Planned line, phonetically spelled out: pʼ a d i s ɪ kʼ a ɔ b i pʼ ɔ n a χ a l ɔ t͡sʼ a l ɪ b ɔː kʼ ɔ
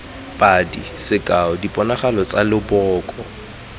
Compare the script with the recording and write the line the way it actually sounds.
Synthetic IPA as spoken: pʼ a d i s ɪ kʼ a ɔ d i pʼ ɔ n a χ a l ɔ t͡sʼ a l ɪ b ɔː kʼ ɔ